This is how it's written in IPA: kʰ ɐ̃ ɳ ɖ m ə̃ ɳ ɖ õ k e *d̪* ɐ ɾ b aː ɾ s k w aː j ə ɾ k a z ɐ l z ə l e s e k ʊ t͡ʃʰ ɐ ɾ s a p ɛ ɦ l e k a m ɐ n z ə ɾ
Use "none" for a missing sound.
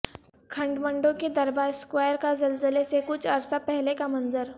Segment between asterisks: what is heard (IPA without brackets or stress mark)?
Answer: d̪